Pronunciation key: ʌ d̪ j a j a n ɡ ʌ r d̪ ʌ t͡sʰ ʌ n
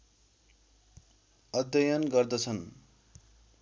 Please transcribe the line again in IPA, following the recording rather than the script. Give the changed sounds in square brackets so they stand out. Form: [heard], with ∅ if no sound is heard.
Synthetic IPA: ʌ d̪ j [ʌ] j [ʌ] n ɡ ʌ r d̪ ʌ t͡sʰ ʌ n